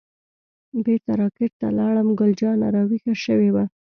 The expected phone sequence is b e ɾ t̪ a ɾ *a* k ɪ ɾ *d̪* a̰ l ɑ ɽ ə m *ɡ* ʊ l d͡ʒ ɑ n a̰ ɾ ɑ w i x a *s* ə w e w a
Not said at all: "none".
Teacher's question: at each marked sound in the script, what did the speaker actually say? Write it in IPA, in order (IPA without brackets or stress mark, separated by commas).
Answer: ɑ, t̪, ɡ, ʃ